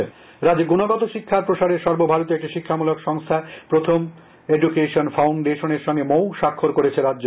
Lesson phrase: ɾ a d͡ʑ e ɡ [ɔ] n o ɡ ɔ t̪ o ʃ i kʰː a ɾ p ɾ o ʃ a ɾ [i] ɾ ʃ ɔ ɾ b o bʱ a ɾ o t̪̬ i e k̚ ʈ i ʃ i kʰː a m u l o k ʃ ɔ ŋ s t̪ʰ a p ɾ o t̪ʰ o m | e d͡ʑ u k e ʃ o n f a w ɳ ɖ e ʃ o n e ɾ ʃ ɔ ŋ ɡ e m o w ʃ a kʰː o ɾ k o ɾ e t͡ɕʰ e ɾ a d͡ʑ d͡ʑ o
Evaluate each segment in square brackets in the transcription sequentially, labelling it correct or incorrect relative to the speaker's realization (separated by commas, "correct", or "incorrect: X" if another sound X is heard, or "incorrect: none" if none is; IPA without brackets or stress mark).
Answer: incorrect: u, incorrect: e